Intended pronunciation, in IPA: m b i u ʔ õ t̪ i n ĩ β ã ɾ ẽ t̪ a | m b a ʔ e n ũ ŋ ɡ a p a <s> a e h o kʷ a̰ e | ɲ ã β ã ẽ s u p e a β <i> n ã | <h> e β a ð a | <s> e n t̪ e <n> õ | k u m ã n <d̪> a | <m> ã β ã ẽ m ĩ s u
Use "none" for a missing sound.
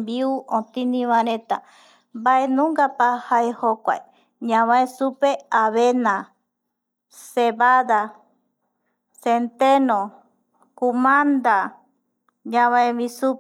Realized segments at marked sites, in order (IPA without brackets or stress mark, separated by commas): h, e, s, s, n, d̪, ɲ